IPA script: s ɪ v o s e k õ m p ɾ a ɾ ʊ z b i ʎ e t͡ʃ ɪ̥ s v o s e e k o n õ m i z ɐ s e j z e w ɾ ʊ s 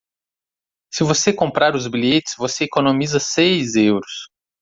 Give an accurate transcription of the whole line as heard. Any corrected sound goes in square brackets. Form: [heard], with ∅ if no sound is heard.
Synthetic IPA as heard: s ɪ v o s e k õ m p ɾ a ɾ ʊ z b i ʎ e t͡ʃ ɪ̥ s v o s e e k o n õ m i z ɐ s e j z e w ɾ ʊ s

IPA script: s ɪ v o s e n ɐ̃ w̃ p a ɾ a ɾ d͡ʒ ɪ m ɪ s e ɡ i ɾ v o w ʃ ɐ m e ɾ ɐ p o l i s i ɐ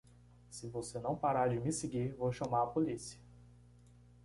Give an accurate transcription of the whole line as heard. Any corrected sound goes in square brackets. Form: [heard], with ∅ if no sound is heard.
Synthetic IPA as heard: s ɪ v o s e n ɐ̃ w̃ p a ɾ a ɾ d͡ʒ ɪ m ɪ s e ɡ i ɾ v o w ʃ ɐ m [a] ɾ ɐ p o l i s i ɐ

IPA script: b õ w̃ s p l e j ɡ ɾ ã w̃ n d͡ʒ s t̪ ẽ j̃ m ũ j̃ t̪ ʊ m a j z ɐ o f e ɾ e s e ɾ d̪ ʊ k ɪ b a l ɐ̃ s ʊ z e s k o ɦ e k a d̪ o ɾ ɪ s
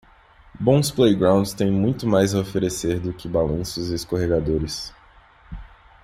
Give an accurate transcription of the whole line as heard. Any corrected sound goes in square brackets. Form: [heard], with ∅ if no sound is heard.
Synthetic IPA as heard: b õ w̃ s p l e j ɡ ɾ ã w̃ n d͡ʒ s t̪ ẽ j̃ m ũ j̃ t̪ ʊ m a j z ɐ o f e ɾ e s e ɾ d̪ ʊ k ɪ b a l ɐ̃ s ʊ z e s k o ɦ e [ɡ] a d̪ o ɾ ɪ s

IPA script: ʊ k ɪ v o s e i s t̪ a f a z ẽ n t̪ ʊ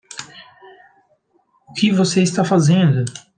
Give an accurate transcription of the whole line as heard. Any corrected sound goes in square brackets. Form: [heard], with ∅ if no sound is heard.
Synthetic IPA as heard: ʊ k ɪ v o s e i s t̪ a f a z ẽ n [d̪] ʊ

